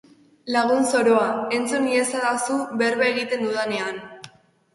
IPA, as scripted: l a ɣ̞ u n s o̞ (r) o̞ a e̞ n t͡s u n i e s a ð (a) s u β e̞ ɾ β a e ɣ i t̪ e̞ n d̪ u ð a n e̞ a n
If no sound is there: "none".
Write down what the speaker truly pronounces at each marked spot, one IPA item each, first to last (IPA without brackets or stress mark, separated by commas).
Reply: ɾ, a